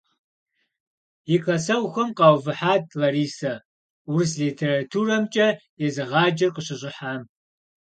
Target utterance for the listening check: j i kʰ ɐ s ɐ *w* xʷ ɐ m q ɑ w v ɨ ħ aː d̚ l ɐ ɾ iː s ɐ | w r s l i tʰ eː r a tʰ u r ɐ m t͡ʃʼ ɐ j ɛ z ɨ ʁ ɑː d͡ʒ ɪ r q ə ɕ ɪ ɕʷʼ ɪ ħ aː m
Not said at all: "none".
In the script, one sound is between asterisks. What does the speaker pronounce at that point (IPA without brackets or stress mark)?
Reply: w